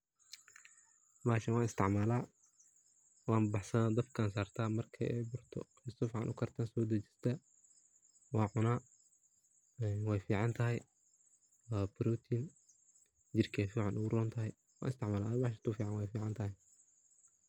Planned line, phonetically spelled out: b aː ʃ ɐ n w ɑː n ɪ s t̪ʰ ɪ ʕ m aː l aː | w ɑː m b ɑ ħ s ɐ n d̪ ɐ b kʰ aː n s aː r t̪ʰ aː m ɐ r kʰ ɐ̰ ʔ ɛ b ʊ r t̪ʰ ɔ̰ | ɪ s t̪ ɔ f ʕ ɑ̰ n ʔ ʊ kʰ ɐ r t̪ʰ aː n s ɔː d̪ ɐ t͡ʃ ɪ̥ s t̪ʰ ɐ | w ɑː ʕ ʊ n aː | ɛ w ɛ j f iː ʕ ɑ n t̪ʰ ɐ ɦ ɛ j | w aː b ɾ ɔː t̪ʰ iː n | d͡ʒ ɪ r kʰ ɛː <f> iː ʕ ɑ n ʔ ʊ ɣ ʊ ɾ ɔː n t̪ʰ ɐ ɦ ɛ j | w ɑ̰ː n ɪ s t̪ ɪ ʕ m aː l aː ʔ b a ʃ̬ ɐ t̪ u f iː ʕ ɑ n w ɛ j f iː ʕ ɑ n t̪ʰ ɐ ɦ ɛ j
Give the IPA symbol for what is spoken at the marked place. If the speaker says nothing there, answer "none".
f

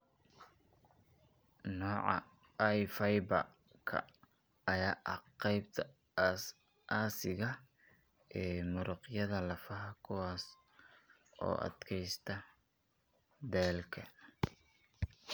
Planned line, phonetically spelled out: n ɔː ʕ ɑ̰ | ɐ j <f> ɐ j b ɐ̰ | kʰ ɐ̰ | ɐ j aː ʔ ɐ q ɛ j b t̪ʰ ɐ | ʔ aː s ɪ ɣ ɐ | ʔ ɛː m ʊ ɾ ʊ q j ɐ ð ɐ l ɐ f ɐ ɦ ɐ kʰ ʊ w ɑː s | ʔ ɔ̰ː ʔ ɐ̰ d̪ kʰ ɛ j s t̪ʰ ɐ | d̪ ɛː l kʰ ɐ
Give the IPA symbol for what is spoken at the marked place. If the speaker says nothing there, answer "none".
f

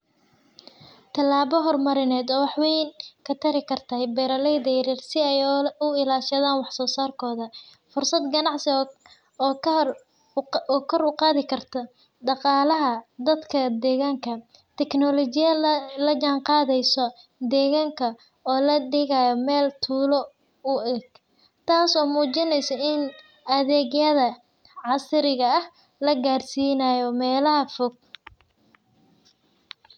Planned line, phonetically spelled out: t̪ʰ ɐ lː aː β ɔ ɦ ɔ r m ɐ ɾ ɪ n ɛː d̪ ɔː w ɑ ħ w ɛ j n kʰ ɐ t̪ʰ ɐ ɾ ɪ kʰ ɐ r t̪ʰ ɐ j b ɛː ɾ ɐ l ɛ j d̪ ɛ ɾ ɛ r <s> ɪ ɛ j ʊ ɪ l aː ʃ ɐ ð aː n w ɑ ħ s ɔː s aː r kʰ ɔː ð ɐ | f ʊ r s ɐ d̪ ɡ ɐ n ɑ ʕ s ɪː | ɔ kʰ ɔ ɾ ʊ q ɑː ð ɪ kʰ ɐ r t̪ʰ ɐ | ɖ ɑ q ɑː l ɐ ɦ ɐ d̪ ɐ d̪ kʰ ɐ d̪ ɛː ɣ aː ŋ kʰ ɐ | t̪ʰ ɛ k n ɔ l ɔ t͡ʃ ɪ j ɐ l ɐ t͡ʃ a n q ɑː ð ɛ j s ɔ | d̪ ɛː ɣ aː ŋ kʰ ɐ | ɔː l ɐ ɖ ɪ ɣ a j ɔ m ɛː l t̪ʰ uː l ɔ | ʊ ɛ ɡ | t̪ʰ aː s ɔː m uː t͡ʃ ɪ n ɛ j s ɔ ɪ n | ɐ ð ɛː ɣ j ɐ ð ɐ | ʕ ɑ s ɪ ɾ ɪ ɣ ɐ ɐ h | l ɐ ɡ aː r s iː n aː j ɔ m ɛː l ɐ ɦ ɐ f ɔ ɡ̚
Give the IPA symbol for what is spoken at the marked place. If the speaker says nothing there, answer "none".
s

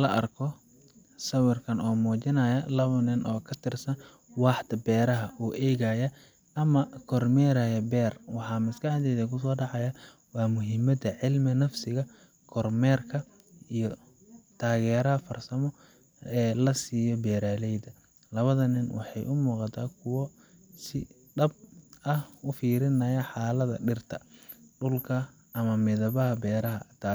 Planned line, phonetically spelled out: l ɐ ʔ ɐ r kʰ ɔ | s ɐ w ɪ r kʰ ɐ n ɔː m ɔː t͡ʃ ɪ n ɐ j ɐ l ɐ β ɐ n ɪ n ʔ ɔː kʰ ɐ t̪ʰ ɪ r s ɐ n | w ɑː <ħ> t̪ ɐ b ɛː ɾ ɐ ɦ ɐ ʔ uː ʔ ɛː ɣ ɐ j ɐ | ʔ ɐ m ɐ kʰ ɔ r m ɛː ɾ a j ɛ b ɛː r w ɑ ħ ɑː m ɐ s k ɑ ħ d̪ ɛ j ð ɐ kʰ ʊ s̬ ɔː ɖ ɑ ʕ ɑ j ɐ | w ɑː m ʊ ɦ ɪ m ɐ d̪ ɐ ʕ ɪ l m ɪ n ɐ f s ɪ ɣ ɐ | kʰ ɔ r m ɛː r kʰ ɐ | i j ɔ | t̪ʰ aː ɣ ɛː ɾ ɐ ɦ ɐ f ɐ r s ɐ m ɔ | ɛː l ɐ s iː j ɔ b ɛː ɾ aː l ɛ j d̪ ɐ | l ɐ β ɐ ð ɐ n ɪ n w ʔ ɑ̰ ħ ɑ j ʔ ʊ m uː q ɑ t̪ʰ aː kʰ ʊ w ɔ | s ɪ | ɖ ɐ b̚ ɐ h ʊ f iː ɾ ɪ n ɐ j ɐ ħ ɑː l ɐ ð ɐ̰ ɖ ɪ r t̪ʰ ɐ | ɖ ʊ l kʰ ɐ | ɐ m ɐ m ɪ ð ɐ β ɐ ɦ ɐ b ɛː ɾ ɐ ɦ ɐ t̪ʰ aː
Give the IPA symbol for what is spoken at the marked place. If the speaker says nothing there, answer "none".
ħ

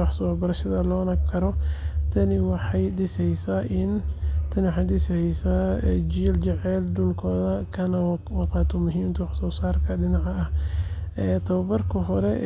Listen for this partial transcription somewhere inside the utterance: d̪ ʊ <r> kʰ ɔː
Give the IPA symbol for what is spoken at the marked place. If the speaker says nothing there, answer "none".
l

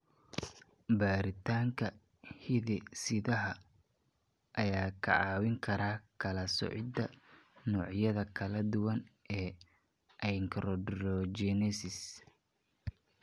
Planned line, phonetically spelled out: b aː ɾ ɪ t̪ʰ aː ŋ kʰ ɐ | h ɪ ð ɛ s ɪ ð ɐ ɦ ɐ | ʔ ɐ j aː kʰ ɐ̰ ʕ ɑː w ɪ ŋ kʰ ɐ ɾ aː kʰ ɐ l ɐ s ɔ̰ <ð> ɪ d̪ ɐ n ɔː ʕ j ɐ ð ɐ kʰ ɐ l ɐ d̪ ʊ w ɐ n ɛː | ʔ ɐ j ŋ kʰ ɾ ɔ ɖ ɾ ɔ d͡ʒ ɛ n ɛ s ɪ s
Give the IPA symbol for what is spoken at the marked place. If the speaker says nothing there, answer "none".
ʕ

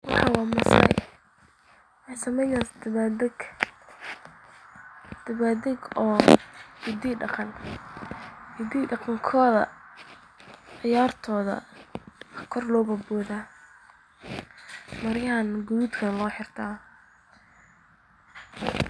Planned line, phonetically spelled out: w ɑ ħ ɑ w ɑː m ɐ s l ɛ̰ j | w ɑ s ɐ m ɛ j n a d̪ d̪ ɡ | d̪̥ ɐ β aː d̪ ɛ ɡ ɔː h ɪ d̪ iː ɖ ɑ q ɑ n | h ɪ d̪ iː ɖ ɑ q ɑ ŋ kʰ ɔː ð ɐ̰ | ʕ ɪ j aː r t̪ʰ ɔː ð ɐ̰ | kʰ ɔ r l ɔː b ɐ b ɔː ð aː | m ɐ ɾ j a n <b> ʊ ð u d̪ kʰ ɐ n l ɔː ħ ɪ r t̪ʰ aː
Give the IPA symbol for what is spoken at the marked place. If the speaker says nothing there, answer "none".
ɡ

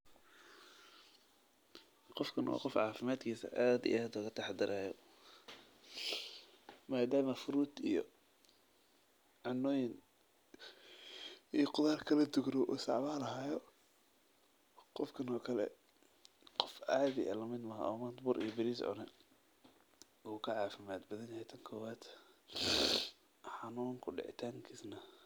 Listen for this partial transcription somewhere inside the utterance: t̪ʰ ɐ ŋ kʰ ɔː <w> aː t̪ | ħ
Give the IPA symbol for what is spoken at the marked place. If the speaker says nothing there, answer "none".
w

